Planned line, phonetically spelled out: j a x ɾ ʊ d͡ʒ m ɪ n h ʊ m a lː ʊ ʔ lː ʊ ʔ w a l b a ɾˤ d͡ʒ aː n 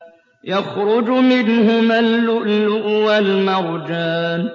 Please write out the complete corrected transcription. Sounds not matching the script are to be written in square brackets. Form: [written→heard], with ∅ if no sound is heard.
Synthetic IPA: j a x ɾ ʊ d͡ʒ m ɪ n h ʊ m a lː ʊ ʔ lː ʊ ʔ w a l [b→m] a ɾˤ d͡ʒ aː n